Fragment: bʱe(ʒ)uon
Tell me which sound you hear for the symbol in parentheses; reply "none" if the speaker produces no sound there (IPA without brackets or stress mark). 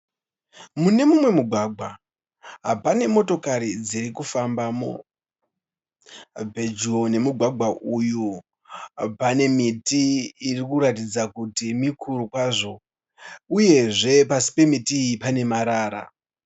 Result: d͡ʒ